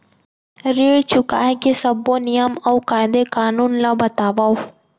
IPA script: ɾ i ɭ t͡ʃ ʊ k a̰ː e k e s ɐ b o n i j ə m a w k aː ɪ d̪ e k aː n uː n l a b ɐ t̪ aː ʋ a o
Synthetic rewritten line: ɾ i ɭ t͡ʃ ʊ k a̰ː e k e s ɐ b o n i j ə m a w k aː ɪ d̪ e k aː n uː n l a b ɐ t̪ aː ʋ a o